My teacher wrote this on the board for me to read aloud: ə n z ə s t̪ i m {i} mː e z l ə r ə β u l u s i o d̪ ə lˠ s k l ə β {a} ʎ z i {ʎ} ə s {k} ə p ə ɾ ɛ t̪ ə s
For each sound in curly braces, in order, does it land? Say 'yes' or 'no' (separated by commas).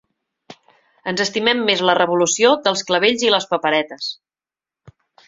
no, no, no, no